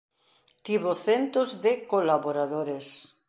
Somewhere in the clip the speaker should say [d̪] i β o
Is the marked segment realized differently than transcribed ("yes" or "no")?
yes